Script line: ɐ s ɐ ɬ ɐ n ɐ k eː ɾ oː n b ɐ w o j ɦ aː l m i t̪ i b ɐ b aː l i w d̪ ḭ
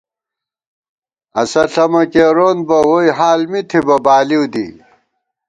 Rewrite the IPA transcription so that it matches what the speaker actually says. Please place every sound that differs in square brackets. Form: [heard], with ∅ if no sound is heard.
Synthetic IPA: ɐ s ɐ ɬ ɐ [m] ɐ k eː ɾ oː n b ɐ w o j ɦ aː l m i [t̪ʰ] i b ɐ b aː l i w d̪ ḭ